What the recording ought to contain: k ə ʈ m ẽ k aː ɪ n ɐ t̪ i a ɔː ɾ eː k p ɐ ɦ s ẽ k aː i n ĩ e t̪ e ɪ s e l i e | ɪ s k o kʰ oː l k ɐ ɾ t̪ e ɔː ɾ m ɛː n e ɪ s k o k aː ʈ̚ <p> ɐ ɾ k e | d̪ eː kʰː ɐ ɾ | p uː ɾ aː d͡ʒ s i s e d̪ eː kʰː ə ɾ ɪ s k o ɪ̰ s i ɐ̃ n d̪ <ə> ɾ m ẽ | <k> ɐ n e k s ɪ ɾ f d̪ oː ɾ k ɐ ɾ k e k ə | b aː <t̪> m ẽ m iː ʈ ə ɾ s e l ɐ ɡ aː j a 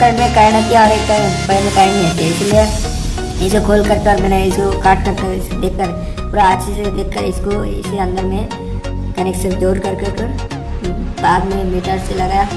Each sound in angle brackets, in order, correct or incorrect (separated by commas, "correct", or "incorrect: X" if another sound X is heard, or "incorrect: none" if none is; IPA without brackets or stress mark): incorrect: k, correct, correct, incorrect: d̪